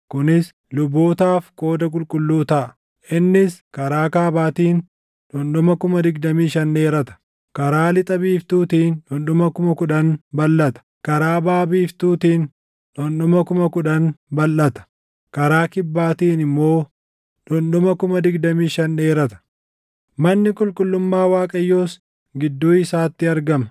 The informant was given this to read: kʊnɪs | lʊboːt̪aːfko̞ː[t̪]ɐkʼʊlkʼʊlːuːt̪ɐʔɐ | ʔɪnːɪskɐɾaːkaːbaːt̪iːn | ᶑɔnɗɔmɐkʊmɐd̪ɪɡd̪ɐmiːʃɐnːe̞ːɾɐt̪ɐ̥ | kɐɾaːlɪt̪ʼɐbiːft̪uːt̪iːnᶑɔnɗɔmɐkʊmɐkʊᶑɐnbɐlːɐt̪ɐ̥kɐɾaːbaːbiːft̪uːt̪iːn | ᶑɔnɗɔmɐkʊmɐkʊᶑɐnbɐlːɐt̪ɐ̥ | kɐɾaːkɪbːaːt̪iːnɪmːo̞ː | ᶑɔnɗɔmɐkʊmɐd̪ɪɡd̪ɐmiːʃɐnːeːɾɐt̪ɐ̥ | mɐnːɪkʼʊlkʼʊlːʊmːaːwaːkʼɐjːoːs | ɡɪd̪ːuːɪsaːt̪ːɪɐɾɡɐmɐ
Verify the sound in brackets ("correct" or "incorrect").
incorrect